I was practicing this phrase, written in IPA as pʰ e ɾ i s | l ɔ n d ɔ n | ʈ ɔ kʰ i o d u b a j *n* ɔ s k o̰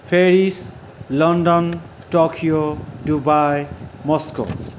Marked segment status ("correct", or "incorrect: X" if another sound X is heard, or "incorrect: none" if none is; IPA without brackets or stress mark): incorrect: m